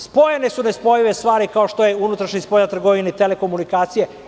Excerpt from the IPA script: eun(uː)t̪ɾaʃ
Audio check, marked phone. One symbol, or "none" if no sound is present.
u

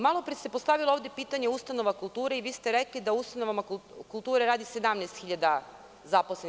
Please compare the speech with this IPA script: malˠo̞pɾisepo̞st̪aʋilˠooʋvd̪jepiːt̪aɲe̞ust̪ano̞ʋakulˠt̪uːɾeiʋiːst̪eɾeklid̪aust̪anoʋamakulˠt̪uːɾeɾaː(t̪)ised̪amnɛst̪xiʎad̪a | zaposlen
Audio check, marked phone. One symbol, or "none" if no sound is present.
d̪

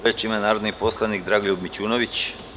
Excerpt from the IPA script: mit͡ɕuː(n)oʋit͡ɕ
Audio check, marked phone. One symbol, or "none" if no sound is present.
n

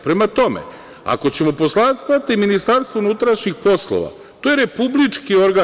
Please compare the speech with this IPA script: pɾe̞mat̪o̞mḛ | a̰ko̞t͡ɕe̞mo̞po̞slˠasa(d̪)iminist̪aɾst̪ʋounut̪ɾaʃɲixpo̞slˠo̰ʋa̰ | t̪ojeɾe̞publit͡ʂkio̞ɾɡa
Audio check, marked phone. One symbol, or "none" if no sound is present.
t̪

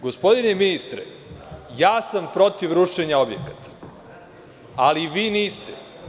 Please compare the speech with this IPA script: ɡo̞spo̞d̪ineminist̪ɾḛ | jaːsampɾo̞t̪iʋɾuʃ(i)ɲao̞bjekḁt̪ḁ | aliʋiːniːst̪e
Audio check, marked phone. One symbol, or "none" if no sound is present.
e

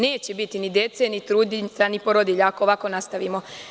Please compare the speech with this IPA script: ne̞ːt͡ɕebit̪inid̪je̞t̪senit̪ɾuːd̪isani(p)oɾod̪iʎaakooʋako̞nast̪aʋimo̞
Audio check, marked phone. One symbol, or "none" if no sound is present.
p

